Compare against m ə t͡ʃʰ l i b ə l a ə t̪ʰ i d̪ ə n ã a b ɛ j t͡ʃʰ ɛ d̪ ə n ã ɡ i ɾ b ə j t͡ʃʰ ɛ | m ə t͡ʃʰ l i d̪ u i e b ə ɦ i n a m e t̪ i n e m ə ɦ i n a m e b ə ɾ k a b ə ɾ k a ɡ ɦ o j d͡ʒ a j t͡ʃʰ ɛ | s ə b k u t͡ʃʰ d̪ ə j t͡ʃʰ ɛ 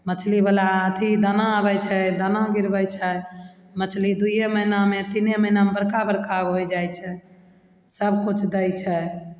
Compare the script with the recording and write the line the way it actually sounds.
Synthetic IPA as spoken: m ə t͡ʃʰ l i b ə l a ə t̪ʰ i d̪ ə n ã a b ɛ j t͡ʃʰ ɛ d̪ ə n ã ɡ i ɾ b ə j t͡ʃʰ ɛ | m ə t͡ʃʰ l i d̪ u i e m ə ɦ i n a m e t̪ i n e m ə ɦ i n a m e b ə ɾ k a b ə ɾ k a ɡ ɦ o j d͡ʒ a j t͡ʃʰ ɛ | s ə b k u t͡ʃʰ d̪ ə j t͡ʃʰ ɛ